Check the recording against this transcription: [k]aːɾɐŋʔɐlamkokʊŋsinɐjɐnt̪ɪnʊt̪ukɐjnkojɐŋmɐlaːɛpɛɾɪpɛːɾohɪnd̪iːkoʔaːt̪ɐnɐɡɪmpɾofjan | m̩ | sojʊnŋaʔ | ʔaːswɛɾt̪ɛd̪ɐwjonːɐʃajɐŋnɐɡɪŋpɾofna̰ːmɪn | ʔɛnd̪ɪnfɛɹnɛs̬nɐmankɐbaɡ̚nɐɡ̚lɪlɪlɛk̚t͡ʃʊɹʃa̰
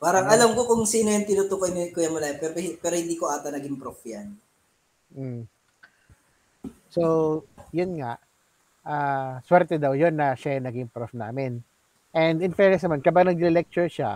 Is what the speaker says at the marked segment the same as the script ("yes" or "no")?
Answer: no